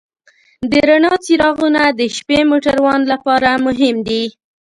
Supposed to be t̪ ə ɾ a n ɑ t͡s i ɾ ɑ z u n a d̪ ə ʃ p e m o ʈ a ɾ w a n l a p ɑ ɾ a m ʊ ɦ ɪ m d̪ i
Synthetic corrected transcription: d̪ ə ɾ a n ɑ t͡s i ɾ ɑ ɣ u n a d̪ ə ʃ p e m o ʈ a ɾ w ɑ n l a p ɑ ɾ a m ʊ ɦ ɪ m d̪ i